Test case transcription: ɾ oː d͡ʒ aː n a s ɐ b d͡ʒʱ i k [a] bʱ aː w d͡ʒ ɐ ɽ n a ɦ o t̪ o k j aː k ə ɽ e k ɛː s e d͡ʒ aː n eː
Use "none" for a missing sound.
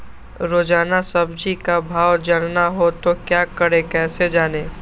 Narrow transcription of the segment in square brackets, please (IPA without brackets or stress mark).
a